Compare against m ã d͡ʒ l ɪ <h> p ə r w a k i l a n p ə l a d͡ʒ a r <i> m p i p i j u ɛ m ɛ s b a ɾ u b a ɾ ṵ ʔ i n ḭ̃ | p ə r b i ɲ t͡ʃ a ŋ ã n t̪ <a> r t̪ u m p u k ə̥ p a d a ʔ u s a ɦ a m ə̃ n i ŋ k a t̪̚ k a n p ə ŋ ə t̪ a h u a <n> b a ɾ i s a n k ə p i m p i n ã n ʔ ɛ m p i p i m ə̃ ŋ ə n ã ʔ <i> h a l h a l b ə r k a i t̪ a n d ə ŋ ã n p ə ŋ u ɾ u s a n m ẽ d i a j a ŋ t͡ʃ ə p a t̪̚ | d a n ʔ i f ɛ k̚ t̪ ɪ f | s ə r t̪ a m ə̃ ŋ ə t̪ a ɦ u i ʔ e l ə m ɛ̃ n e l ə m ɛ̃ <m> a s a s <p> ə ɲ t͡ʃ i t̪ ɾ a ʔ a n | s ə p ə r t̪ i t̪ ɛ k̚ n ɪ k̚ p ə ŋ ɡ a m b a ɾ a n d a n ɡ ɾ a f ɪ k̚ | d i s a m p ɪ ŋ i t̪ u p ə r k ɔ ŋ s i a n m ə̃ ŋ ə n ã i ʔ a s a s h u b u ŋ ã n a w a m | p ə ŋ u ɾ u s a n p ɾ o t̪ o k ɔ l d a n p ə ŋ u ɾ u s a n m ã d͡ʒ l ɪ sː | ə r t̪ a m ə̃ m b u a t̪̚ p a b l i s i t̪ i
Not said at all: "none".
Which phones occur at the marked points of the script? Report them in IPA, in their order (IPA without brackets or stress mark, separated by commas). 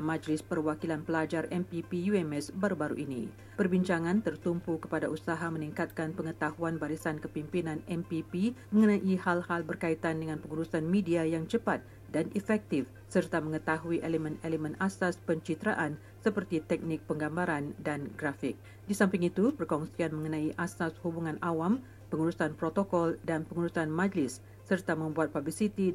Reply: s, ɛ, ə, n, i, n, p